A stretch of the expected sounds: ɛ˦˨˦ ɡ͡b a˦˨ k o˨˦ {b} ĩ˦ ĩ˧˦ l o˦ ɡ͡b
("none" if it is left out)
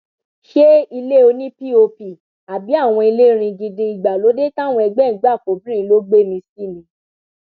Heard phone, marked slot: b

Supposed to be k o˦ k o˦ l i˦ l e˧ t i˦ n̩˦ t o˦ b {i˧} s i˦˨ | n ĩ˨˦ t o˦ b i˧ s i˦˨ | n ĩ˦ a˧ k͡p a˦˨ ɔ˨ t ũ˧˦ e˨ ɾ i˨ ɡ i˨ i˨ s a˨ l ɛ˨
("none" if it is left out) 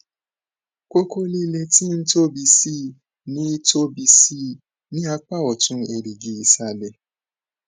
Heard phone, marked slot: i˧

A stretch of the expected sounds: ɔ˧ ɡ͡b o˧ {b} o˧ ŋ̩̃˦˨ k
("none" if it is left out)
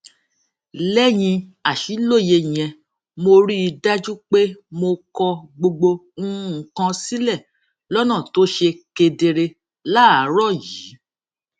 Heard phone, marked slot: ɡ͡b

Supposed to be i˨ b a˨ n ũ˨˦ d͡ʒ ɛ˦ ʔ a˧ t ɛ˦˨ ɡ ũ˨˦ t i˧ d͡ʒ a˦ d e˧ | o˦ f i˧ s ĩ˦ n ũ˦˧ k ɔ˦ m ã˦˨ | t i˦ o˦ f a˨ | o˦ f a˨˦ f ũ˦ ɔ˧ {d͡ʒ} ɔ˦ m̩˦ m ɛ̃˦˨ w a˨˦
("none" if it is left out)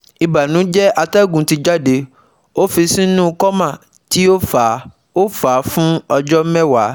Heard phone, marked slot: d͡ʒ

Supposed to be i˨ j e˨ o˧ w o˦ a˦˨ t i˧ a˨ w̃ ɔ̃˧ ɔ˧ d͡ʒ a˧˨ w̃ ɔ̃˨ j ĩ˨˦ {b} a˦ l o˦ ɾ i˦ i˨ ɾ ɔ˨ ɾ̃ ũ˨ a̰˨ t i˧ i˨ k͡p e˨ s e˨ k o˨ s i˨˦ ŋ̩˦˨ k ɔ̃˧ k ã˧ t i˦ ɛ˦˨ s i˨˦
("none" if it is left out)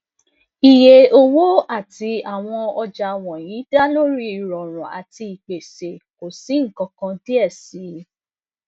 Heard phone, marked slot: d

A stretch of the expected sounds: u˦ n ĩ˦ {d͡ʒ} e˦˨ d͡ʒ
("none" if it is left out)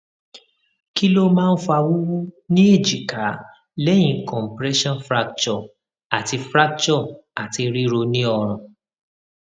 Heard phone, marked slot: none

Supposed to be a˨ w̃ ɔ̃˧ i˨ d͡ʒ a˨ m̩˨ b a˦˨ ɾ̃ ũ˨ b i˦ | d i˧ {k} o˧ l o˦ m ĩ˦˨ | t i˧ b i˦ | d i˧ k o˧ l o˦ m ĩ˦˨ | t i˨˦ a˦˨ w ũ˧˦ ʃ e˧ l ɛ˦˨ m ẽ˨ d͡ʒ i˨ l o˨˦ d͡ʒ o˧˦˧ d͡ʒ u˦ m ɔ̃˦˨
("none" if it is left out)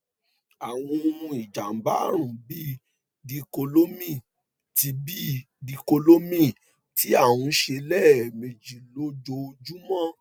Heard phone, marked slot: k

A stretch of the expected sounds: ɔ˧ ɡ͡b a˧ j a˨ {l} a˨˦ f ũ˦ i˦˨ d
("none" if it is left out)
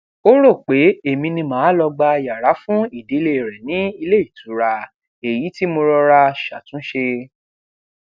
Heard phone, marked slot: ɾ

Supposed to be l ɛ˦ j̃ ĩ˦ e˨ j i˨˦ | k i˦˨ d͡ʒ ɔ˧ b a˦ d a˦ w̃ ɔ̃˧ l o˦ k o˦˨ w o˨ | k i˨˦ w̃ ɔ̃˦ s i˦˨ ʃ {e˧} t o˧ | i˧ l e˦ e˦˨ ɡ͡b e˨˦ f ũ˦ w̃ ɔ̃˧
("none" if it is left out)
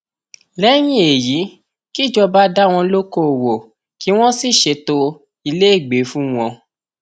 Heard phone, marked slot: e˧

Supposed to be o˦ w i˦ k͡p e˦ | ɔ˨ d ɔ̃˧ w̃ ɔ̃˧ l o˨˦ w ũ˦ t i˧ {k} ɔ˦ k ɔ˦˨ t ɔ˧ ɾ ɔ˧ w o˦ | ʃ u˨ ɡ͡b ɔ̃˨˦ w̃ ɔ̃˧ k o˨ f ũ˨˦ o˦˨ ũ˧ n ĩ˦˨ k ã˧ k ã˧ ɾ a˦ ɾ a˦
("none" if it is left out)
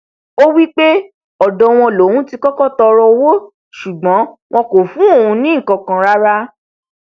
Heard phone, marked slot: k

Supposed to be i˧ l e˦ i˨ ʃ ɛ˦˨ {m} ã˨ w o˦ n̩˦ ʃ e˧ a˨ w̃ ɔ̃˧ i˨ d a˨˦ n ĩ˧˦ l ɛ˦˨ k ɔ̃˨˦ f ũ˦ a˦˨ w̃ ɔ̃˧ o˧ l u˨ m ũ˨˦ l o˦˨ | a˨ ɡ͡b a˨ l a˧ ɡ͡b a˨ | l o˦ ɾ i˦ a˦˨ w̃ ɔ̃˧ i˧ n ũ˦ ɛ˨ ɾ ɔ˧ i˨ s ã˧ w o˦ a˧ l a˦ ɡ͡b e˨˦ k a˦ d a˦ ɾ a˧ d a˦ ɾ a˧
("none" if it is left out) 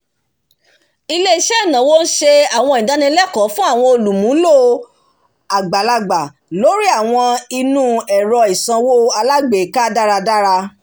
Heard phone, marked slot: n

